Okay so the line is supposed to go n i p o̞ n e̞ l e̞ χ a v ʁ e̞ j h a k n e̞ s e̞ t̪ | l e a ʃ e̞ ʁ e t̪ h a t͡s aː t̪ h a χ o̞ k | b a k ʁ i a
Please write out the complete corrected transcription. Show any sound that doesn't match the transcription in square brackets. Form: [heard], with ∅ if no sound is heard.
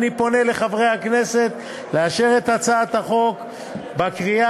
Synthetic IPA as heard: n i p o̞ n e̞ l e̞ χ a v ʁ e̞ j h a k n e̞ s e̞ t̪ | l e a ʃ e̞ ʁ e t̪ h a t͡s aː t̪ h a χ o̞ k | b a k ʁ i a

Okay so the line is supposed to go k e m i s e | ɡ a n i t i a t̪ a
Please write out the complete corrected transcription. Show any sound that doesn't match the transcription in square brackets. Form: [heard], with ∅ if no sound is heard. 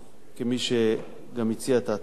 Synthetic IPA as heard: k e m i [ʃ] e | ɡ a [m] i [t͡s] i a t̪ a

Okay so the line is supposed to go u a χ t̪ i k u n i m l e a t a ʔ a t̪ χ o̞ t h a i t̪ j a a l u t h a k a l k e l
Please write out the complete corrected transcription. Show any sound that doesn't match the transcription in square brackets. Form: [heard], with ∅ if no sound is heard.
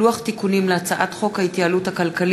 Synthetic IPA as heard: u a χ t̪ i k u n i m l e a [t͡s] a ʔ a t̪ χ o̞ [k] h a i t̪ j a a l u t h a k a l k [a] l

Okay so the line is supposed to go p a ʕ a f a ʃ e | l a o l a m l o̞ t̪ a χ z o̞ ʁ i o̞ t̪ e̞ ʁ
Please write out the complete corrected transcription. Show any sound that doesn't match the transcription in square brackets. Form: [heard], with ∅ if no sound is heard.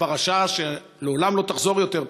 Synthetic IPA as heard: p a [ʁ] a [ʃ] a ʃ e | l [e] o l a m l o̞ t̪ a χ z o̞ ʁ [j] o̞ t̪ e̞ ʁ

